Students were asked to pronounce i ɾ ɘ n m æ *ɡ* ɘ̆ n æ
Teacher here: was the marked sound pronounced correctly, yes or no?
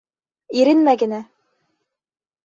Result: yes